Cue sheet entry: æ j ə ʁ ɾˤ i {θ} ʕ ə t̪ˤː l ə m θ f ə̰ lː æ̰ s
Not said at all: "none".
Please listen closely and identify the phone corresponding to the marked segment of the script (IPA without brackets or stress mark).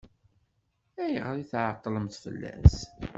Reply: θ